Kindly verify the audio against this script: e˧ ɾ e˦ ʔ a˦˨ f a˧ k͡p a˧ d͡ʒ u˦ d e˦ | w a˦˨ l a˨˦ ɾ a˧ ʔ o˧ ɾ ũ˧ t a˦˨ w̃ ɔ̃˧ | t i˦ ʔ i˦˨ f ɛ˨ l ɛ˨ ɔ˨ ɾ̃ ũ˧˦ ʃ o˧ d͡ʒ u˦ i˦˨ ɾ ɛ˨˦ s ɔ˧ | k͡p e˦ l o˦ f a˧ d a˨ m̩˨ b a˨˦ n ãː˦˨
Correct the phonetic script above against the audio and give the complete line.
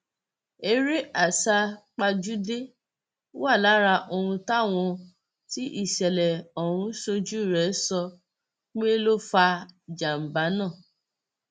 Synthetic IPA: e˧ ɾ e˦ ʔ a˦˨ s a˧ k͡p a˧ d͡ʒ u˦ d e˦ | w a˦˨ l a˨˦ ɾ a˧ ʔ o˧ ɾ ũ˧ t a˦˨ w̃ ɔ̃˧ | t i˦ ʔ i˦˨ ʃ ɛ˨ l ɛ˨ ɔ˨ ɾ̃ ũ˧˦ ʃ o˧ d͡ʒ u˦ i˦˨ ɾ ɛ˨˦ s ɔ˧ | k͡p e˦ l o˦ f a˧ d͡ʒ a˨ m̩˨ b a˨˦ n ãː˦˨